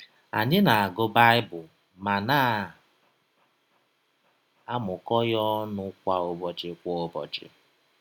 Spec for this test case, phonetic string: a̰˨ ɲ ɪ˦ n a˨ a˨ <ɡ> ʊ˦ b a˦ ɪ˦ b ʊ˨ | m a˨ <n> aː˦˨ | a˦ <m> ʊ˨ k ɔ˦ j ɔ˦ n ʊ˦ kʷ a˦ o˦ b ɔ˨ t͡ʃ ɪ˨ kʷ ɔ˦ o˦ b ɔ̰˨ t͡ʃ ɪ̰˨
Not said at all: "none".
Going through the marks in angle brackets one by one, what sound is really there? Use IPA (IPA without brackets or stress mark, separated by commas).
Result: ɡ, n, m